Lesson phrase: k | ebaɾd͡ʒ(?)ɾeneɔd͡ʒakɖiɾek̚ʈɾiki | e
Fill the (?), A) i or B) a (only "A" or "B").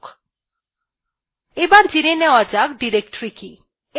A